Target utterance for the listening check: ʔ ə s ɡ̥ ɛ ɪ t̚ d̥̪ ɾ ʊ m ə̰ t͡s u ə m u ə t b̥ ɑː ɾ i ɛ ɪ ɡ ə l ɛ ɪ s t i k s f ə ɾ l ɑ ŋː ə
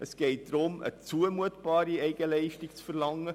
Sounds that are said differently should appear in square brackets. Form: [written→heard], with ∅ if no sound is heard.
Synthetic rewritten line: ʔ ə s ɡ̥ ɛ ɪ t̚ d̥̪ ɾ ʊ m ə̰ t͡s u ə m u ə t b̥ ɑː ɾ i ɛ ɪ ɡ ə l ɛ ɪ [s→ʃ] t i k [s→t͡s] f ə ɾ l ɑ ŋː ə